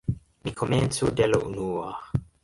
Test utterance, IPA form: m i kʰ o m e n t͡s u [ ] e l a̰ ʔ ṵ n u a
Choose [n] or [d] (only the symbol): d